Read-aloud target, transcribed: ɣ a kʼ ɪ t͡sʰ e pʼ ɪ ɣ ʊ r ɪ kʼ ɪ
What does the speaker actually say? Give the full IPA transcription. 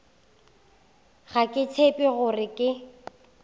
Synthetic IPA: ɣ a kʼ ɪ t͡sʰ e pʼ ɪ ɣ ʊ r ɪ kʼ ɪ